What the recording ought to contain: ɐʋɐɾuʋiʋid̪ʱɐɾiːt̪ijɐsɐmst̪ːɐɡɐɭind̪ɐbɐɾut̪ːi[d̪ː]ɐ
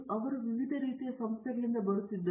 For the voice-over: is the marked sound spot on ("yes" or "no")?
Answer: yes